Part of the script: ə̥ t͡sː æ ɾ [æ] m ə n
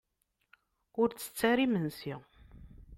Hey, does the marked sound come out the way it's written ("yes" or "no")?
no